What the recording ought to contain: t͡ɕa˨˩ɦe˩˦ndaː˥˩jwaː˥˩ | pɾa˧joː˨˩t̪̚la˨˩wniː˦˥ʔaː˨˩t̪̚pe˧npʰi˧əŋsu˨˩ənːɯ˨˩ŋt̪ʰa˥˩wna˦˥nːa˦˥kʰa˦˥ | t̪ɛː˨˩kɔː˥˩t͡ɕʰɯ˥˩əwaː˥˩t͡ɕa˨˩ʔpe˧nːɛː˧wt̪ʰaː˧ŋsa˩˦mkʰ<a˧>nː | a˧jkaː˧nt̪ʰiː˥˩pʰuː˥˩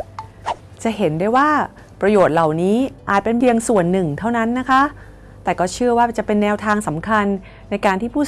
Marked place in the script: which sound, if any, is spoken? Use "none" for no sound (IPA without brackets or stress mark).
a˧